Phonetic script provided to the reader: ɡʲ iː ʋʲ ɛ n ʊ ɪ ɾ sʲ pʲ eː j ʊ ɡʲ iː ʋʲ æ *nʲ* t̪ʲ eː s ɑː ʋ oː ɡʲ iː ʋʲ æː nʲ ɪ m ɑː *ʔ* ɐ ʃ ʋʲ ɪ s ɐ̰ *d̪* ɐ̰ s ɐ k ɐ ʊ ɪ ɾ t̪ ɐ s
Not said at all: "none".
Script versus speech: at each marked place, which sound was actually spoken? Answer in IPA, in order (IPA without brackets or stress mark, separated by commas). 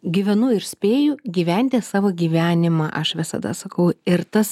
nʲ, ʔ, d̪